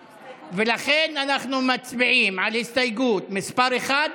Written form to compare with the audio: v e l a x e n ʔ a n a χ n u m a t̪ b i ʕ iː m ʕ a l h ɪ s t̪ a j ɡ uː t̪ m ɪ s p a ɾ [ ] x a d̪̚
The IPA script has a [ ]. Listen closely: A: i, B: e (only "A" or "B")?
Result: B